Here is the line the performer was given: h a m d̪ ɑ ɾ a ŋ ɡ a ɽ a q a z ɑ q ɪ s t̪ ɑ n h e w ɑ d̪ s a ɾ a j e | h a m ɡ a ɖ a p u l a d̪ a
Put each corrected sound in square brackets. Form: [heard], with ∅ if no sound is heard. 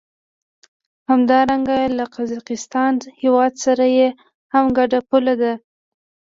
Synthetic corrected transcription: h a m d̪ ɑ ɾ a ŋ ɡ a [l] a q a z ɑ q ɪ s t̪ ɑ n h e w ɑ d̪ s a ɾ a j e | h a m ɡ a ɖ a p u l a d̪ a